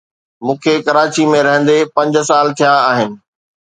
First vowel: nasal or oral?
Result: nasal